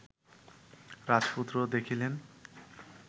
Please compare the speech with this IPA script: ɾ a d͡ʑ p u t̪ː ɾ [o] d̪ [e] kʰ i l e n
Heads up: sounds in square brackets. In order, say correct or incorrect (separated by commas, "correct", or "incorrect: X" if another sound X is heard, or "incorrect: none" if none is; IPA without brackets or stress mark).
correct, correct